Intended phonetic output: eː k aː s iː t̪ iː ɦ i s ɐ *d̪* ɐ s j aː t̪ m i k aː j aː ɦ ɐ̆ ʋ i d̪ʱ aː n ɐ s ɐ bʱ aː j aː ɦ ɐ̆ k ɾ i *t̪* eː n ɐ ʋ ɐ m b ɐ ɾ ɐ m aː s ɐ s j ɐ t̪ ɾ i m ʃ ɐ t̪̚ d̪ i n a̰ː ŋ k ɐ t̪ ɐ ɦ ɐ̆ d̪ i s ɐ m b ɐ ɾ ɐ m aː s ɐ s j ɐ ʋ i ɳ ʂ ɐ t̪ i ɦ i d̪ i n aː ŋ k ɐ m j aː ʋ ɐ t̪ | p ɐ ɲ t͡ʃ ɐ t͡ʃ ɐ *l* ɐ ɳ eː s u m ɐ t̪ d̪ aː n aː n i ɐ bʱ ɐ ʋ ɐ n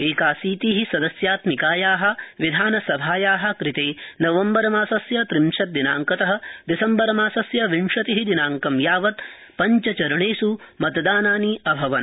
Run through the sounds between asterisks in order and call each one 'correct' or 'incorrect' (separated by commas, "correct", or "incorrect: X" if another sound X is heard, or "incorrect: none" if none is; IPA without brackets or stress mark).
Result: correct, correct, incorrect: ɾ